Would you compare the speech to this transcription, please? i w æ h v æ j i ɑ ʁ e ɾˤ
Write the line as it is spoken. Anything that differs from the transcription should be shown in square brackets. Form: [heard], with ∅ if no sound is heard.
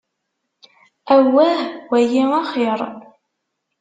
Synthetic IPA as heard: [æ] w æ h [w] æ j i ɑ [χ] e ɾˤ